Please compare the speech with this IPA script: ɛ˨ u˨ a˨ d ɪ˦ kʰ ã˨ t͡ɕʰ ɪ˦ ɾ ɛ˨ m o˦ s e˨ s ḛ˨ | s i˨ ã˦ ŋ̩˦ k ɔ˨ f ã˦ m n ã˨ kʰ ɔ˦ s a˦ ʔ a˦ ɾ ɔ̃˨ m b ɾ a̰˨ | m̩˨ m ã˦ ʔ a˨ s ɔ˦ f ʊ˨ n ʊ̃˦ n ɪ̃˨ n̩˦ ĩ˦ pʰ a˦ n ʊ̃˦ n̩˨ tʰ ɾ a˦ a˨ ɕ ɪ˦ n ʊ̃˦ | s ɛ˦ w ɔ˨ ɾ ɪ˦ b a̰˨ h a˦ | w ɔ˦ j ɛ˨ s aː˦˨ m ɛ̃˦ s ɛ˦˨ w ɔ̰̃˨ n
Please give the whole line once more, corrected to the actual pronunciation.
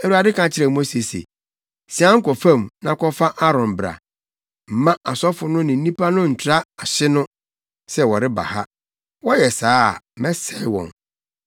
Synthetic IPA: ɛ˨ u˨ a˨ d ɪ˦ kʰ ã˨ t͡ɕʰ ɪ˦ ɾ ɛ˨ m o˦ s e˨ s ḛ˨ | s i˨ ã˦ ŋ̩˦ k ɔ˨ f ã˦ m n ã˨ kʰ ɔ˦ f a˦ ʔ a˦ ɾ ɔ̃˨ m b ɾ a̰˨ | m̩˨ m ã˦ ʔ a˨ s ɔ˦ f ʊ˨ n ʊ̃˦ n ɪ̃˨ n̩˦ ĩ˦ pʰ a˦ n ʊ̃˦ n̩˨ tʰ ɾ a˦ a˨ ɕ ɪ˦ n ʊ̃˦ | s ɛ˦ w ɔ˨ ɾ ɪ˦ b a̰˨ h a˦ | w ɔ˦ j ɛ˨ s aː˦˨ m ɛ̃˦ s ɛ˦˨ w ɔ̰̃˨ n